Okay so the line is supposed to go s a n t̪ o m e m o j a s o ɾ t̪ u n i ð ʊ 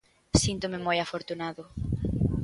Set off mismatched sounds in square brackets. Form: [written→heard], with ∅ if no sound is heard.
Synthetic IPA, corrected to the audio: s [a→i] n t̪ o m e m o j a [s→f] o ɾ t̪ u n [i→a] ð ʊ